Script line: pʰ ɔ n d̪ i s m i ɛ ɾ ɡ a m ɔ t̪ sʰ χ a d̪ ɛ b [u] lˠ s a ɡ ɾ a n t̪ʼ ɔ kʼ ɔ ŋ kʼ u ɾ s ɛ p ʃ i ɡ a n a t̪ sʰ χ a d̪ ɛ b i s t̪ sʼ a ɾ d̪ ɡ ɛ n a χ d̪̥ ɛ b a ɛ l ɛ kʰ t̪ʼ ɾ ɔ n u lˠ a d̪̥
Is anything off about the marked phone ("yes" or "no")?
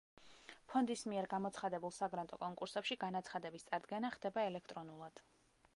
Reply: no